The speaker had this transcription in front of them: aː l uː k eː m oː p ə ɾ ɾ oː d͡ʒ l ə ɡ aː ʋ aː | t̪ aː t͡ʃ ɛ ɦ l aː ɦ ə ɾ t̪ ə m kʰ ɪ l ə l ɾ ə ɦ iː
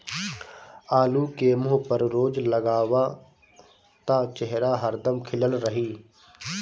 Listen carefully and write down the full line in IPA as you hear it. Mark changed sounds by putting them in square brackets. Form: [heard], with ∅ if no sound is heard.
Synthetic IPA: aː l uː k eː m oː p ə ɾ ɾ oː d͡ʒ l ə ɡ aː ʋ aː | t̪ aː t͡ʃ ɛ ɦ [ɾ] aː ɦ ə ɾ [d̪] ə m kʰ ɪ l ə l ɾ ə ɦ iː